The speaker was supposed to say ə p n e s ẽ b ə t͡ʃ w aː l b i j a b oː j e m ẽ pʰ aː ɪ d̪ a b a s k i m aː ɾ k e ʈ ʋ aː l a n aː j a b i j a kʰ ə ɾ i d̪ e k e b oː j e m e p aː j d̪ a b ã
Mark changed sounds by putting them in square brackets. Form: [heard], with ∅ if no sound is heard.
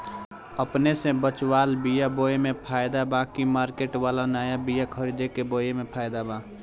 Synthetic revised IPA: ə p n e s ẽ b ə t͡ʃ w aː l b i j a b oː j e m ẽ pʰ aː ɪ d̪ a b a [∅] k i m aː ɾ k e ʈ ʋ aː l a n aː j a b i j a kʰ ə ɾ i d̪ e k e b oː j e m e [pʰ] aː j d̪ a b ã